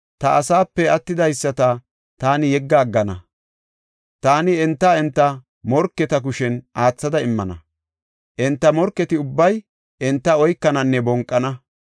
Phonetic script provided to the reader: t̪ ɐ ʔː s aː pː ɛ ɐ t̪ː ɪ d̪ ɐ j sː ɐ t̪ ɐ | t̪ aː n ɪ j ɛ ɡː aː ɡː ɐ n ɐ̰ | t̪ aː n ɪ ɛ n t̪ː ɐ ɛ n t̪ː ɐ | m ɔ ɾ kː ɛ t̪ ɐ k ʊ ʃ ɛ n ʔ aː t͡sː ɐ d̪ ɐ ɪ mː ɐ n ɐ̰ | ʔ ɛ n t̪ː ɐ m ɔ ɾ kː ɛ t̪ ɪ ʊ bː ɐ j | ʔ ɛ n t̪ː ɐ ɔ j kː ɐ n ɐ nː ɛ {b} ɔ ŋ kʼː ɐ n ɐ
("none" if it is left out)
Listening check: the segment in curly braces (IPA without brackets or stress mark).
b